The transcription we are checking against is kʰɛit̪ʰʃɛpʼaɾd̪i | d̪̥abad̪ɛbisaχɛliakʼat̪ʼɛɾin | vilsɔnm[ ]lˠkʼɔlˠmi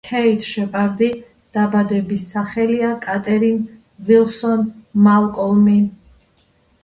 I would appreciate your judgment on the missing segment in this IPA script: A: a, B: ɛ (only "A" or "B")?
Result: A